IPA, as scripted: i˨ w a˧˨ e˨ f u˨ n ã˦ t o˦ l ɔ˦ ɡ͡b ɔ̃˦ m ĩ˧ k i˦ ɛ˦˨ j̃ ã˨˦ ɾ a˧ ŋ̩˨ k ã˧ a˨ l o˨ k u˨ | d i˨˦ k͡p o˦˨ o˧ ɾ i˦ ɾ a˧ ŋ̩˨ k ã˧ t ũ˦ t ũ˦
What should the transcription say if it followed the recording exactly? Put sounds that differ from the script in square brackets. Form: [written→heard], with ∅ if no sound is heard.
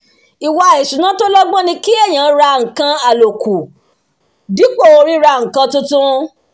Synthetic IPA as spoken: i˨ w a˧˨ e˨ [f→ʃ] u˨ n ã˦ t o˦ l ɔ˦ ɡ͡b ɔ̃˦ [m→n] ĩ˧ k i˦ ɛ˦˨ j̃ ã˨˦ ɾ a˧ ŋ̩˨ k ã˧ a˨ l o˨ k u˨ | d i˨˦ k͡p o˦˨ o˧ ɾ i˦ ɾ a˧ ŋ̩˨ k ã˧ t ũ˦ t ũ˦